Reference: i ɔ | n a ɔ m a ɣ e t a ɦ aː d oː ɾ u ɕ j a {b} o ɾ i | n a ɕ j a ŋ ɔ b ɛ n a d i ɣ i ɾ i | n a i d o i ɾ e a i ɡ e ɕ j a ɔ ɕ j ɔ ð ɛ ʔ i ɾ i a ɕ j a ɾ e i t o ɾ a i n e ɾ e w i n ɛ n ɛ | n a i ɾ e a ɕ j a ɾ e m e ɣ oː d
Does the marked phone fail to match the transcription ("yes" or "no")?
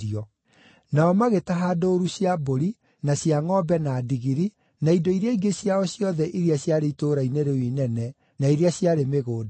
no